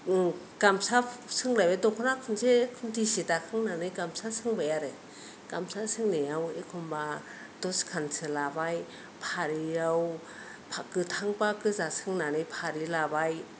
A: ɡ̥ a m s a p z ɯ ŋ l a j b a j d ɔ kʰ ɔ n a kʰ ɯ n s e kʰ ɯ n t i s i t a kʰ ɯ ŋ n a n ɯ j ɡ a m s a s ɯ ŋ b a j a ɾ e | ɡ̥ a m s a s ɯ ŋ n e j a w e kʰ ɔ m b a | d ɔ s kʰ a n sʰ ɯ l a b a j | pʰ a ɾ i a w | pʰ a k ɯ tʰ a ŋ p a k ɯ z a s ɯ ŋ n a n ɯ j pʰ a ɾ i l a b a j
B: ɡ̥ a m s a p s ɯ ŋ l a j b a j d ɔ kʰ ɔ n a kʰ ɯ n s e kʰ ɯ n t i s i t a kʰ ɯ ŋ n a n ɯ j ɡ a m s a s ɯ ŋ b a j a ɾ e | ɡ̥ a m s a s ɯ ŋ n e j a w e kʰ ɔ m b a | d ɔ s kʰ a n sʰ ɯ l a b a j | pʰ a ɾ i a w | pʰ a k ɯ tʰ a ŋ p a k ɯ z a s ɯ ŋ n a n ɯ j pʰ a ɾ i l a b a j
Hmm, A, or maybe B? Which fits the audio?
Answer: B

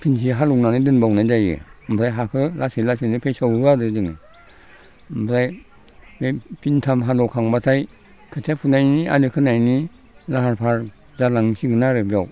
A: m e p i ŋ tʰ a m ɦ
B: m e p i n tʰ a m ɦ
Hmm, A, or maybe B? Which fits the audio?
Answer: B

